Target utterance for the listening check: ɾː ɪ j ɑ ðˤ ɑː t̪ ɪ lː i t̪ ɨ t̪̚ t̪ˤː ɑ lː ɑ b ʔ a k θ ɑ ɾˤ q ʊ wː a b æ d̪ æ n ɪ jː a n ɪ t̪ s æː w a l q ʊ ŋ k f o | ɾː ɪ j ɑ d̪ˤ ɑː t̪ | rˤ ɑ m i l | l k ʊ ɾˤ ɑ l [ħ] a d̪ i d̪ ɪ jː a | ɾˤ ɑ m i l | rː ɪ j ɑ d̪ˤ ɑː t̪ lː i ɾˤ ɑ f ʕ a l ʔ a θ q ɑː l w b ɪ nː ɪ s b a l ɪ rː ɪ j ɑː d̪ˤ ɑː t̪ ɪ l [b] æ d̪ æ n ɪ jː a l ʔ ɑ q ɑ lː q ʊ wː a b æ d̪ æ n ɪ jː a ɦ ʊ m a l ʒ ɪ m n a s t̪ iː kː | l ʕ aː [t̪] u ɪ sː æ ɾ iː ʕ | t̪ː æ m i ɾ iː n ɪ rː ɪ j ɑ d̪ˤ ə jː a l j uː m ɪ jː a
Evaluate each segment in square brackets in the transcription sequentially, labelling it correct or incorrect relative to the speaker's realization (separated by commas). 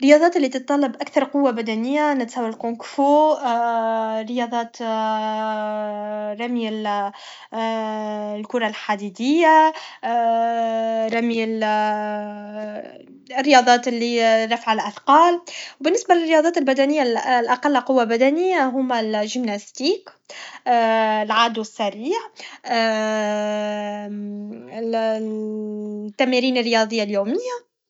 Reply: correct, correct, incorrect